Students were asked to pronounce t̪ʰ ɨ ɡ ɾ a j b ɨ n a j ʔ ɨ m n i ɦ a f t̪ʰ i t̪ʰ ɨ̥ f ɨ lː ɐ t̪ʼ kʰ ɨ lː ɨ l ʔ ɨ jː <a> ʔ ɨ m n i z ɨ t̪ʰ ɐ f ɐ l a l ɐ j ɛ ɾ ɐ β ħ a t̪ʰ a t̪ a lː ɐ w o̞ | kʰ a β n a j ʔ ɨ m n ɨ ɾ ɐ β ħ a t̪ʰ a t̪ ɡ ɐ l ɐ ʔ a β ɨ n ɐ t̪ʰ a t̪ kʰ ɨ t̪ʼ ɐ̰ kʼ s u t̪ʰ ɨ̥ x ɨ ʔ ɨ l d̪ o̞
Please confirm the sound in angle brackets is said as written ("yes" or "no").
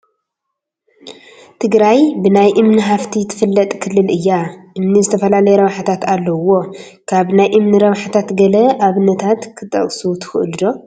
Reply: yes